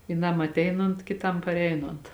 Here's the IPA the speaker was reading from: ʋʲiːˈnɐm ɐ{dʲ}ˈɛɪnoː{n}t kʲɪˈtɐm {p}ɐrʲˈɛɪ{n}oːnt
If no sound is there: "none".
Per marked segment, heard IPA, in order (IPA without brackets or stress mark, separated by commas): tʲ, n, p, n